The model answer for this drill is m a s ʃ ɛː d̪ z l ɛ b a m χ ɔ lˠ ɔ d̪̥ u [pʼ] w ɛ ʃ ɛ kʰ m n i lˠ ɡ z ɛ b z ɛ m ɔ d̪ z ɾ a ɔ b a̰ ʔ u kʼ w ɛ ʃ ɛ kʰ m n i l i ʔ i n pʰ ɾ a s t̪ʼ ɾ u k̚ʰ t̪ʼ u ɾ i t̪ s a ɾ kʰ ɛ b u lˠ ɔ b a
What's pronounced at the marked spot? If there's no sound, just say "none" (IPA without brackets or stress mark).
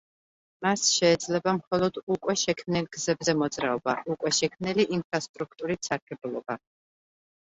kʼ